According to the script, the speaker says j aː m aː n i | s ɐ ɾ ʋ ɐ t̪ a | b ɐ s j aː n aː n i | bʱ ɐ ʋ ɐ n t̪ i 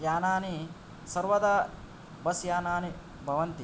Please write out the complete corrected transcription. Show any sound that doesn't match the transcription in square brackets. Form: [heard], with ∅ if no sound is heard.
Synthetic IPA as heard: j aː [n] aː n i | s ɐ ɾ ʋ ɐ [d̪] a | b ɐ s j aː n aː n i | bʱ ɐ ʋ ɐ n t̪ i